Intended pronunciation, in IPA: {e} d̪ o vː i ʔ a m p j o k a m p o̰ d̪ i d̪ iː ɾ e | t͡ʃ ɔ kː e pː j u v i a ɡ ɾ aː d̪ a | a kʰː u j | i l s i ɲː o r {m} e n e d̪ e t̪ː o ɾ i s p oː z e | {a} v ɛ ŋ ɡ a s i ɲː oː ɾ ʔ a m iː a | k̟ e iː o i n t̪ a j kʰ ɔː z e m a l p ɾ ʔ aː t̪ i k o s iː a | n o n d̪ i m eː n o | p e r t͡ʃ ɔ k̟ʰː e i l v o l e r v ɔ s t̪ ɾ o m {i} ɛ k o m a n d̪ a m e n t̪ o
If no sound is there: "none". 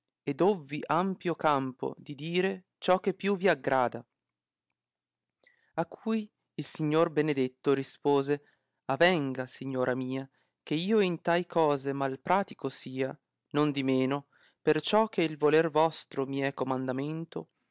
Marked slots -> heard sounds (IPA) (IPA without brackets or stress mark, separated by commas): e, b, a, i